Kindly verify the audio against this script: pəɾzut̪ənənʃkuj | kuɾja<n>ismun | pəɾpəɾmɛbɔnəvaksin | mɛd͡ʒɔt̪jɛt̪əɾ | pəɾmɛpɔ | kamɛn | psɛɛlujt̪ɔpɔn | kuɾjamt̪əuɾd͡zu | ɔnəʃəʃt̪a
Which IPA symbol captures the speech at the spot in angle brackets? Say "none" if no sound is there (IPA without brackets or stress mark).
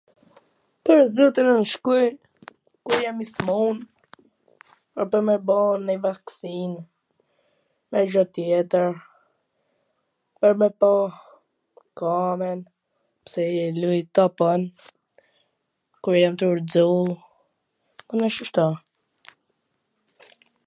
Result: m